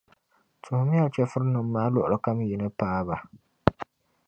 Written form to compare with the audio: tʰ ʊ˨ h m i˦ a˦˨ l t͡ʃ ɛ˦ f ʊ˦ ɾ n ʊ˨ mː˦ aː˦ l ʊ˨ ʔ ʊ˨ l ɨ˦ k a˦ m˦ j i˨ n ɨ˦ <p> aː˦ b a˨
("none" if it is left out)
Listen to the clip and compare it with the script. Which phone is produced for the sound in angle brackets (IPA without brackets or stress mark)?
p